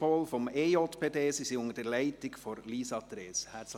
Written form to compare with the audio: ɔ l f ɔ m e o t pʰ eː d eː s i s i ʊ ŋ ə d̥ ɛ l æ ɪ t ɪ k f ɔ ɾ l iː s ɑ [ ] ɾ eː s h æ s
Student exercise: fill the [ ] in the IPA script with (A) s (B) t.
B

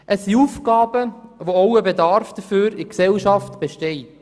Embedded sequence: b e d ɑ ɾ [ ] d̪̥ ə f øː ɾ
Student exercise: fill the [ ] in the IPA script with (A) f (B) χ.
A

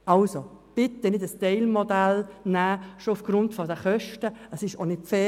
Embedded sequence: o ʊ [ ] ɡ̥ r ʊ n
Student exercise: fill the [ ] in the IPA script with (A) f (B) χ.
A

